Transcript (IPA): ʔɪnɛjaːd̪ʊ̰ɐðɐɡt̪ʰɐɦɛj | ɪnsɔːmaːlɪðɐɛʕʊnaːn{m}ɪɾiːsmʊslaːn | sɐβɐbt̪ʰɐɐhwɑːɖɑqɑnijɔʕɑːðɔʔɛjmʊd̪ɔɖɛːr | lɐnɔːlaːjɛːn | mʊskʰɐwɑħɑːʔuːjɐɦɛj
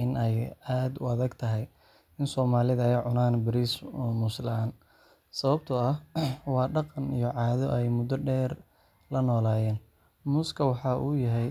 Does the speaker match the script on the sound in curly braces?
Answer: no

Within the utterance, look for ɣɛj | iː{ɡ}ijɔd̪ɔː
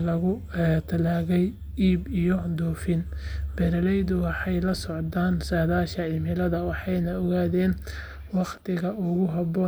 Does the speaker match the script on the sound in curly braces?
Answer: no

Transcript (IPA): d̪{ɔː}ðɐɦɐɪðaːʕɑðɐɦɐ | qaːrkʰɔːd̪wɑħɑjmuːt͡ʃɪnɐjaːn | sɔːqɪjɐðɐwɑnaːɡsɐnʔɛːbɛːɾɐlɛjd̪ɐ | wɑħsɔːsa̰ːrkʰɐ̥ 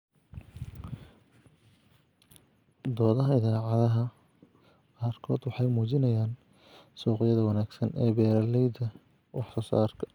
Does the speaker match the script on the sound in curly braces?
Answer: yes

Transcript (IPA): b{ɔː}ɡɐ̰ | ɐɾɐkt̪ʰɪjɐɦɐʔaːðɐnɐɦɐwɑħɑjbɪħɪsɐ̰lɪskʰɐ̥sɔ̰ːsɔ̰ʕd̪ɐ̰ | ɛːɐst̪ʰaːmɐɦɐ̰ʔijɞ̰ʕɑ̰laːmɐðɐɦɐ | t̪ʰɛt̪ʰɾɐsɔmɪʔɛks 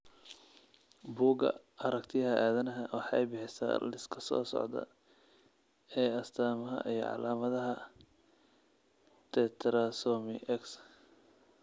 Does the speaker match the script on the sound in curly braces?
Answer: no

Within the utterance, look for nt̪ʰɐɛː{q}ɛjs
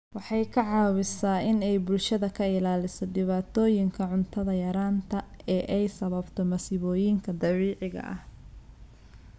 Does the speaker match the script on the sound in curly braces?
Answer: no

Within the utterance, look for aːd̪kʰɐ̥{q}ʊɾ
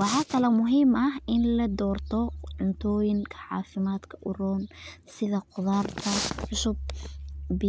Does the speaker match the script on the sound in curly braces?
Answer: no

